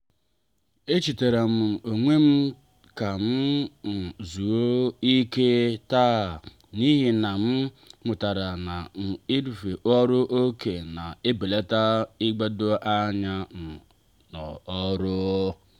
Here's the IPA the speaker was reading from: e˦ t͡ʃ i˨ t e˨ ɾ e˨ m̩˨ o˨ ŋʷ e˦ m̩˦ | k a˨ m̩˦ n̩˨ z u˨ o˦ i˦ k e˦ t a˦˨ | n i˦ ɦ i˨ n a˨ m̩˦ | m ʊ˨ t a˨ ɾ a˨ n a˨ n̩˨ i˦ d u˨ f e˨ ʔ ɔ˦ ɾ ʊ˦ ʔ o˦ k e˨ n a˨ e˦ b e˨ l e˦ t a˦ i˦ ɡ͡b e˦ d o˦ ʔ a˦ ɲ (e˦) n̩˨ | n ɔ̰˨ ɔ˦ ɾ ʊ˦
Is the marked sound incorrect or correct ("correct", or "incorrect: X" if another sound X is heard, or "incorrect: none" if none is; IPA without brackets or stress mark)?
incorrect: a˦